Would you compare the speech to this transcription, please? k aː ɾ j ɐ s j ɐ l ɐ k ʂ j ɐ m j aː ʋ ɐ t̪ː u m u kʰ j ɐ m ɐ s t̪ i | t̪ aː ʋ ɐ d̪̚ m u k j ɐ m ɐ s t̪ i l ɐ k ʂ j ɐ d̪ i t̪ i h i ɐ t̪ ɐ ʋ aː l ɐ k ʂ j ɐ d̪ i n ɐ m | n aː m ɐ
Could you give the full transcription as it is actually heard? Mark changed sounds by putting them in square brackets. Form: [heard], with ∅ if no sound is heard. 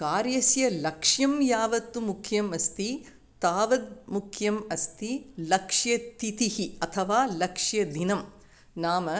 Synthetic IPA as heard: k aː ɾ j ɐ s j ɐ l ɐ k ʂ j ɐ m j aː ʋ ɐ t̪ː u m u kʰ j ɐ m ɐ s t̪ i | t̪ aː ʋ ɐ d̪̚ m u [kʰ] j ɐ m ɐ s t̪ i l ɐ k ʂ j ɐ [t̪] i t̪ i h i ɐ [t̪ʰ] ɐ ʋ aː l ɐ k ʂ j ɐ d̪ i n ɐ m | n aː m ɐ